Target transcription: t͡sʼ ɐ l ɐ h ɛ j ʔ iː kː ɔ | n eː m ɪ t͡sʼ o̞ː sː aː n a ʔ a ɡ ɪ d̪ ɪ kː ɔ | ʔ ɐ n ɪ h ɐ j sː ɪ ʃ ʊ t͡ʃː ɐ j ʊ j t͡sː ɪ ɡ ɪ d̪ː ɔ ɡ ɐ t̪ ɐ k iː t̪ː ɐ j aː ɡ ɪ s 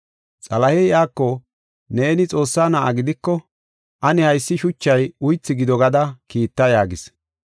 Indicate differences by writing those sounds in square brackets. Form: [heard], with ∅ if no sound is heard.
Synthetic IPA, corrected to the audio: t͡sʼ ɐ l ɐ h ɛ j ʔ [aː] kː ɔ | n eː [n] ɪ t͡sʼ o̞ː sː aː n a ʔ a ɡ ɪ d̪ ɪ kː ɔ | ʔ ɐ n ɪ h ɐ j sː ɪ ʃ ʊ t͡ʃː ɐ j ʊ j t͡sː ɪ ɡ ɪ [d̪] ɔ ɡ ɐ [d̪] ɐ k iː t̪ː ɐ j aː ɡ ɪ s